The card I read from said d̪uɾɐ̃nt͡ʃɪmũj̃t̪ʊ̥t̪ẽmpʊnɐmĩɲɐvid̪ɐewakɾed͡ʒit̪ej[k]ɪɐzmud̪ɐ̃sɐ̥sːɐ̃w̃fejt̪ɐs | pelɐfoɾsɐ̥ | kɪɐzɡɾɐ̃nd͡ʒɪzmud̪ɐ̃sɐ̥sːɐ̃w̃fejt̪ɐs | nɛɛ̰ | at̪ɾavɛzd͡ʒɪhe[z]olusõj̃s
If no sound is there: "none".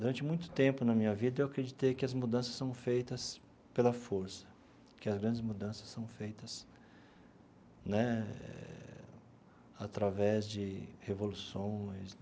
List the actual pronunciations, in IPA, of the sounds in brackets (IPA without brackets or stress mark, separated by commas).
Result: k, v